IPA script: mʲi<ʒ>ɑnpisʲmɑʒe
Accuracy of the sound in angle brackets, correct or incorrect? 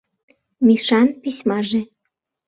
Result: incorrect